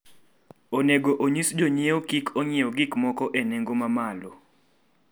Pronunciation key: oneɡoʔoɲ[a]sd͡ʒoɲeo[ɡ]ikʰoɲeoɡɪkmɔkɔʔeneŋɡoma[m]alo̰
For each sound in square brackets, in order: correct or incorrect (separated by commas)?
incorrect, incorrect, correct